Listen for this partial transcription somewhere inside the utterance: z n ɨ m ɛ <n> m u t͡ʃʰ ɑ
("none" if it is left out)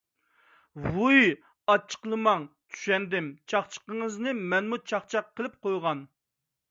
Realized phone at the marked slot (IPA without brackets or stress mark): n